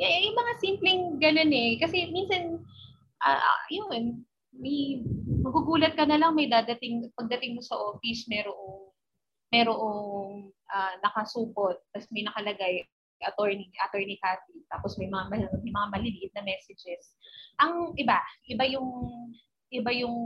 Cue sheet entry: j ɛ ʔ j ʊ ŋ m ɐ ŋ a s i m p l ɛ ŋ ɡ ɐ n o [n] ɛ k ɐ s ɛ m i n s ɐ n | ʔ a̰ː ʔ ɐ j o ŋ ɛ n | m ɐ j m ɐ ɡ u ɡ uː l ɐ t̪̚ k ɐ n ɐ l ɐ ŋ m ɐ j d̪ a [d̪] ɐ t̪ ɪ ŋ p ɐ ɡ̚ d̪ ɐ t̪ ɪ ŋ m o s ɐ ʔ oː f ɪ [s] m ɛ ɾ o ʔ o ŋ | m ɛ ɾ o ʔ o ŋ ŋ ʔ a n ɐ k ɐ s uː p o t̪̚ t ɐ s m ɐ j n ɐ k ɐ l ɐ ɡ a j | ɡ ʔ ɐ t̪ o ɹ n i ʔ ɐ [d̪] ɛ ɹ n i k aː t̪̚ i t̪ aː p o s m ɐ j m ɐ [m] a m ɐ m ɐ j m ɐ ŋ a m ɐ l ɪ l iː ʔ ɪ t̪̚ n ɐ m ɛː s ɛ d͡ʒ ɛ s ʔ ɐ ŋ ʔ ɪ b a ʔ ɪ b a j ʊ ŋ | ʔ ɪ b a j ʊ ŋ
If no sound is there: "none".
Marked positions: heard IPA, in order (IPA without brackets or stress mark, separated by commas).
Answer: n, d̪, s, t̪, ŋ